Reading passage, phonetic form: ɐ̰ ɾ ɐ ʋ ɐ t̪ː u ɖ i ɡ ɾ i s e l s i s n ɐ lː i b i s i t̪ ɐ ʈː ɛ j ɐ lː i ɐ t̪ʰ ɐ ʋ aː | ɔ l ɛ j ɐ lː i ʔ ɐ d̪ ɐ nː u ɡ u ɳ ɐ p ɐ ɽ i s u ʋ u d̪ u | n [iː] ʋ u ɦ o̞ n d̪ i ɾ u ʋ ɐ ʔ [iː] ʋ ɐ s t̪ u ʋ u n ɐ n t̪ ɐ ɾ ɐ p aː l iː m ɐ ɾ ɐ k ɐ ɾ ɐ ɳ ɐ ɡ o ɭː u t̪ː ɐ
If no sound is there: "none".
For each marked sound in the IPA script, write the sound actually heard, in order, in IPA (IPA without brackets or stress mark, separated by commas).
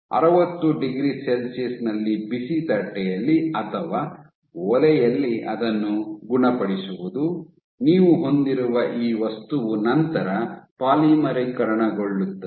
iː, iː